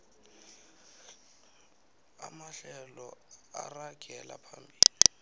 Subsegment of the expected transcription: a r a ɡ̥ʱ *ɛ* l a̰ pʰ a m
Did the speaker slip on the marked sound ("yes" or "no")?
no